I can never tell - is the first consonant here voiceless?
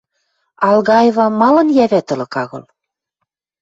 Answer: no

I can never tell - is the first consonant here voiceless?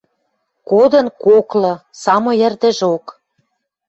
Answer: yes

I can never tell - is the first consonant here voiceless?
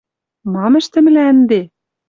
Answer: no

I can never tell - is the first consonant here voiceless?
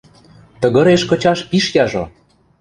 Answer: yes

